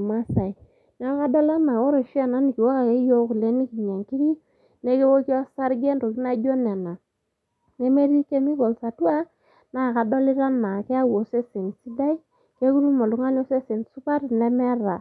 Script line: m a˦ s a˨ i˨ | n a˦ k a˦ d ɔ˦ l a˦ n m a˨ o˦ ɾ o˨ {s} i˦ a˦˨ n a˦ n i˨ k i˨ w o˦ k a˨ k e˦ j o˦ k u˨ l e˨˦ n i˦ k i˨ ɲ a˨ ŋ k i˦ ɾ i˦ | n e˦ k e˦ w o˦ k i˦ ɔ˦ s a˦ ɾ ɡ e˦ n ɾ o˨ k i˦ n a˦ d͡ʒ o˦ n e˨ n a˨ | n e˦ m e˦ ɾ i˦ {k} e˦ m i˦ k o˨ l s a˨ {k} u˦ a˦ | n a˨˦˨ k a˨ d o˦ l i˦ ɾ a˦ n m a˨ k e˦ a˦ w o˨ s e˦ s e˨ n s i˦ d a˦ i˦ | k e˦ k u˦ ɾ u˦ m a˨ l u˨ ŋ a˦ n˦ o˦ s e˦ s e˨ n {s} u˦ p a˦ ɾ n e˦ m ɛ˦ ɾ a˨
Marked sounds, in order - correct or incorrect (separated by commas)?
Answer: incorrect, correct, incorrect, correct